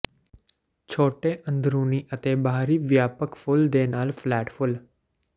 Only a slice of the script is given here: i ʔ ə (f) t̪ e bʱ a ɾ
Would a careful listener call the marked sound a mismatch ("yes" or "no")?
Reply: yes